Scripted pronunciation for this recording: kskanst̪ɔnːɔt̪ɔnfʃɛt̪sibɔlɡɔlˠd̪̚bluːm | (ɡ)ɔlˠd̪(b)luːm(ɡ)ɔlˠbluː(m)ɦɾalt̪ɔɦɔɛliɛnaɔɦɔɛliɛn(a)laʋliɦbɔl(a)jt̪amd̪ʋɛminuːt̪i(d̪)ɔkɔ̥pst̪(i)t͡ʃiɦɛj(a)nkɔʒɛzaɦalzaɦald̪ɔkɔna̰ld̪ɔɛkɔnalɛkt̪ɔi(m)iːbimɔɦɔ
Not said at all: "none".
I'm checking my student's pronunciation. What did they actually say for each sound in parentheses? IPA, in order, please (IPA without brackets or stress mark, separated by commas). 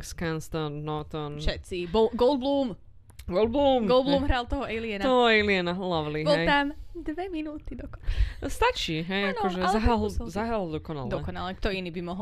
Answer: ɡ, b, ɡ, m, a, ɛ, d̪, a, a, n